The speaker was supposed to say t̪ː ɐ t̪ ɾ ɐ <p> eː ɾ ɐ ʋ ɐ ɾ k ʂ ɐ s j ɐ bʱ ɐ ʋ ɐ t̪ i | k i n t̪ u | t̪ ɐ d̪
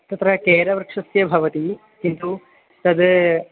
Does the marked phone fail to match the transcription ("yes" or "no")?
yes